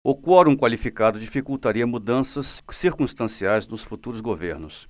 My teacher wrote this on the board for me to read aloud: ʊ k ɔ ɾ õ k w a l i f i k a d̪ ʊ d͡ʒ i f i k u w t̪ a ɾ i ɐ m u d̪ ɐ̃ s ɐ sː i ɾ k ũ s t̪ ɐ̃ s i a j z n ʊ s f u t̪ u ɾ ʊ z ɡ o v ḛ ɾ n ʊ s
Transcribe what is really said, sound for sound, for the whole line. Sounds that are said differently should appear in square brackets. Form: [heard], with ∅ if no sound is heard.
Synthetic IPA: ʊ k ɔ ɾ [ũ] k w a l i f i k a d̪ ʊ d͡ʒ i f i k u w t̪ a ɾ i ɐ m u d̪ ɐ̃ s ɐ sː i ɾ k ũ s t̪ ɐ̃ s i a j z n ʊ s f u t̪ u ɾ ʊ z ɡ o v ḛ ɾ n ʊ s